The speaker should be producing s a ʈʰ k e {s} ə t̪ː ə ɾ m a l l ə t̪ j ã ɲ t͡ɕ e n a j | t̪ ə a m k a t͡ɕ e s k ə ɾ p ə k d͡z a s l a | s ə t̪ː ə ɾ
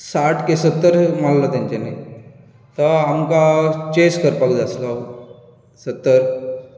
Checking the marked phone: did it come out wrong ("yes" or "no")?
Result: no